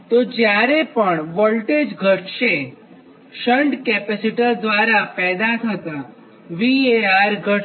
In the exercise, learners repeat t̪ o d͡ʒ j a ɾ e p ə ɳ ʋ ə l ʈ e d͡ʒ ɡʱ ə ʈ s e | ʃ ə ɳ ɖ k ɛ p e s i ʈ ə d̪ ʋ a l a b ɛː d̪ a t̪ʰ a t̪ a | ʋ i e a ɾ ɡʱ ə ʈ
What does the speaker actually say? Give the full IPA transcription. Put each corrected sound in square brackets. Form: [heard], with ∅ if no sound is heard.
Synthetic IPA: t̪ o d͡ʒ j a ɾ e p ə ɳ ʋ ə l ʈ e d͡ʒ ɡʱ ə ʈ [ʃ] e | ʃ ə ɳ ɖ k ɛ p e s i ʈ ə d̪ ʋ a [ɾ] a [p] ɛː d̪ a t̪ʰ [ə] t̪ a | ʋ i e a ɾ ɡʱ ə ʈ

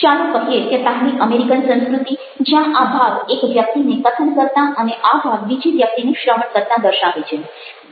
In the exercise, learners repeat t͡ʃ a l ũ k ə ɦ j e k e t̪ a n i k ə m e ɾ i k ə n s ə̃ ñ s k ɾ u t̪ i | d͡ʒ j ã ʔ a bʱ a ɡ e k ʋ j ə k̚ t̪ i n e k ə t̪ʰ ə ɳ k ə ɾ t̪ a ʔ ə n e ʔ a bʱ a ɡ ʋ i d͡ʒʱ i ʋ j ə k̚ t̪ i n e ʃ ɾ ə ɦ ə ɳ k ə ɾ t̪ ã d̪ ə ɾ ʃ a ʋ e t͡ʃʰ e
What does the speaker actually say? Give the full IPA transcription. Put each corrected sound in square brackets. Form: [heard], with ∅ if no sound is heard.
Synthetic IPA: t͡ʃ a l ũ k ə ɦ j e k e t̪ a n i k ə m e ɾ i k ə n s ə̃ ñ s k ɾ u t̪ i | d͡ʒ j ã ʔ a bʱ a ɡ e k ʋ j ə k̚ t̪ i n e k ə t̪ʰ ə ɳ k ə ɾ t̪ a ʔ ə n e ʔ a bʱ a ɡ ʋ i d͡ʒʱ i ʋ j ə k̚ t̪ i n e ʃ ɾ ə ɦ ə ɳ k ə ɾ t̪ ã d̪ ə ɾ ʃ a ʋ e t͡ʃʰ e

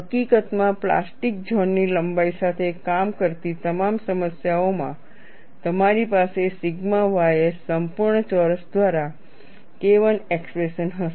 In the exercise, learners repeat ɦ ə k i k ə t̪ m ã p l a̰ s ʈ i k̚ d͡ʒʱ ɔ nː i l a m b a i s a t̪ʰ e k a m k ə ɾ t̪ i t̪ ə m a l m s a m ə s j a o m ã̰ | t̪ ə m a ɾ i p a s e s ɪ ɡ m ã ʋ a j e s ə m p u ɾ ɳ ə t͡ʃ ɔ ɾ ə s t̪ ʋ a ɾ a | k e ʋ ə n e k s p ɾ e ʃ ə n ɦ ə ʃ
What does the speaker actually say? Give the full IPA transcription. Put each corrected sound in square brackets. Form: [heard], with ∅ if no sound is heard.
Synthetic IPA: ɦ ə k i k ə t̪ m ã p l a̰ s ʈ i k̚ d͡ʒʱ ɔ nː i l [ə] m b a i s a t̪ʰ e k a m k ə ɾ t̪ i t̪ ə m a [∅] m s [ə] m ə s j a o m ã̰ | t̪ ə m a ɾ i p a s e s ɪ ɡ m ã ʋ a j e s ə m p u ɾ ɳ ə t͡ʃ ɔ ɾ ə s [d̪] ʋ a ɾ a | k e ʋ ə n e k s p ɾ e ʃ ə n ɦ ə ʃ

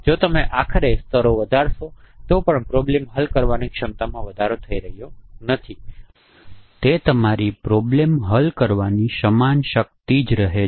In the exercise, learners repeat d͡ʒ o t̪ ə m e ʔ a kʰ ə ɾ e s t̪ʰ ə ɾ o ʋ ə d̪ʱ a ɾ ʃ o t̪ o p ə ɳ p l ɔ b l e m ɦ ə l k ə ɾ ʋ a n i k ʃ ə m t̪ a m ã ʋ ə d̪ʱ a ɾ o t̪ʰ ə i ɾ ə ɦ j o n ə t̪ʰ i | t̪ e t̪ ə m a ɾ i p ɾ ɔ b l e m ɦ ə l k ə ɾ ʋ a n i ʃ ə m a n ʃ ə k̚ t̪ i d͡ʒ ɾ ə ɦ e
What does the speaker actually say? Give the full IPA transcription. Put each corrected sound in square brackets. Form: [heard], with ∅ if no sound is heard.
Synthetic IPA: d͡ʒ o t̪ ə m e ʔ a kʰ ə ɾ e s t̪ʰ ə ɾ o ʋ ə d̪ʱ a ɾ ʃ o t̪ o p ə ɳ p [ɾ] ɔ b l e m ɦ ə l k ə ɾ ʋ a n i k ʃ ə m t̪ a m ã ʋ ə d̪ʱ a ɾ o t̪ʰ ə i ɾ ə ɦ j o n ə t̪ʰ i | t̪ e t̪ ə m a ɾ i p ɾ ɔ b l e m ɦ ə l k ə ɾ ʋ a n i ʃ ə m a n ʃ ə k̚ t̪ i d͡ʒ ɾ ə ɦ e

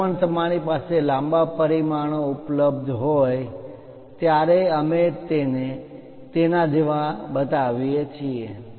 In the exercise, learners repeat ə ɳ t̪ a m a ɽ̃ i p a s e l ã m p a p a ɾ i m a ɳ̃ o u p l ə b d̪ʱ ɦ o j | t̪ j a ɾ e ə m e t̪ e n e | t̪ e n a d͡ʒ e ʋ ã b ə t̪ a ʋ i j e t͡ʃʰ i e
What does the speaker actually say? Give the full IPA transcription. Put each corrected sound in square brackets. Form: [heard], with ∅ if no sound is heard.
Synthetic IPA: ə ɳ t̪ [ə] m a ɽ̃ i p a s e l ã m [b] a p [ə] ɾ i m a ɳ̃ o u p l ə b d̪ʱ ɦ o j | t̪ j a ɾ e ə m e t̪ e n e | t̪ e n a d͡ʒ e ʋ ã b ə t̪ a ʋ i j e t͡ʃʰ i e

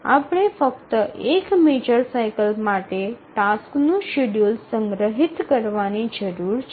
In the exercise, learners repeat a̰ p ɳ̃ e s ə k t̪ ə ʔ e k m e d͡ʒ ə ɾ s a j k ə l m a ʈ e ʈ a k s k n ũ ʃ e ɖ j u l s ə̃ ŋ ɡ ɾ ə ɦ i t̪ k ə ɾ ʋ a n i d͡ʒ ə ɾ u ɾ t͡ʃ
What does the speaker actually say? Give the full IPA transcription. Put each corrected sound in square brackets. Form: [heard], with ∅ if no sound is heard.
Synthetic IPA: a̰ p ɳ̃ e [f] ə k t̪ ə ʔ e k m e d͡ʒ ə ɾ s a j k ə l m a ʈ e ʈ a [∅] s k n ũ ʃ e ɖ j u l s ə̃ ŋ ɡ ɾ ə ɦ i t̪ k ə ɾ ʋ a n i d͡ʒ ə ɾ u ɾ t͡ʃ

